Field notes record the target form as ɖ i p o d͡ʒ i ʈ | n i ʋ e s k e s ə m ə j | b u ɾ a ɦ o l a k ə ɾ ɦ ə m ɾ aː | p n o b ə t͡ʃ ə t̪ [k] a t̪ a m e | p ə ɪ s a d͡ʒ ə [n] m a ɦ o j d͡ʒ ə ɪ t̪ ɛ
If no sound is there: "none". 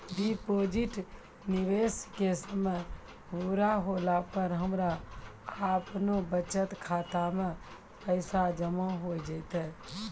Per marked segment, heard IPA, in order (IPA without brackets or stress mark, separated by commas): kʰ, none